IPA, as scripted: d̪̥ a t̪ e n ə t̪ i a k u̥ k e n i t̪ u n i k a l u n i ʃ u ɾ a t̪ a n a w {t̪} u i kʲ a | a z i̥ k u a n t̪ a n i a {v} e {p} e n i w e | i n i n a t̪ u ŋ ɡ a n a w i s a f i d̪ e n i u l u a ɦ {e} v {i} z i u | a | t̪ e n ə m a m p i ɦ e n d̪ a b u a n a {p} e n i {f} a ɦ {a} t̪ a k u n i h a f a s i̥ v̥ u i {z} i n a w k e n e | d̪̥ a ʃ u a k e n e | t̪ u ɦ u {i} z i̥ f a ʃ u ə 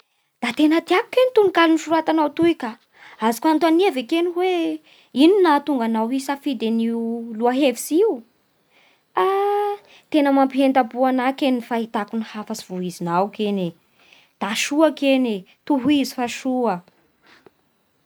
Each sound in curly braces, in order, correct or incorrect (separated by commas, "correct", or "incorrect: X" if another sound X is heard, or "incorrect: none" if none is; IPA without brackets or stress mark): correct, correct, incorrect: k, correct, correct, incorrect: k, correct, incorrect: i, correct, correct